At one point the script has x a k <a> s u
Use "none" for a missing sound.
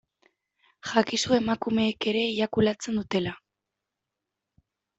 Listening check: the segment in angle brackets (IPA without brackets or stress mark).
i